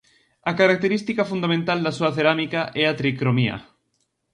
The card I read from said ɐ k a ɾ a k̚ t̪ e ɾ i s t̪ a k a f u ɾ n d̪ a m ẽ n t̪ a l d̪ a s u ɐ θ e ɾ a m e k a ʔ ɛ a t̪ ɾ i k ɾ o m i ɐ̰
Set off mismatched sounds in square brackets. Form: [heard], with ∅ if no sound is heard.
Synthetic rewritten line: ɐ k a ɾ a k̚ t̪ e ɾ i s t̪ [i] k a f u [∅] n d̪ a m ẽ n t̪ a l d̪ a s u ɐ θ e ɾ a m [i] k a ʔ ɛ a t̪ ɾ i k ɾ o m i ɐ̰